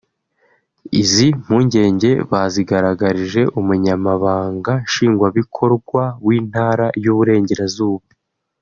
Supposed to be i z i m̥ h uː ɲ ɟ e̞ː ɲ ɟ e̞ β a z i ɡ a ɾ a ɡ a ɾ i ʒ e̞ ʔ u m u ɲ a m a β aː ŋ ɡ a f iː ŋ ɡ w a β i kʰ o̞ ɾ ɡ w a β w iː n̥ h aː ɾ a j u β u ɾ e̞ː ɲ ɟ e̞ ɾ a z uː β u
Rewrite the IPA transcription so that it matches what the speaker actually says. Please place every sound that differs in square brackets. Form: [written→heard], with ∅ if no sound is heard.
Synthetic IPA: i z i m̥ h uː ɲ ɟ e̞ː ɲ ɟ e̞ β a z i ɡ a ɾ a ɡ a ɾ i ʒ e̞ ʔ u m u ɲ a m a β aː ŋ ɡ a [f→ʃ] iː ŋ ɡ w a β i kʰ o̞ ɾ ɡ w a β w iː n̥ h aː ɾ a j u β u ɾ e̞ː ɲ ɟ e̞ ɾ a z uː β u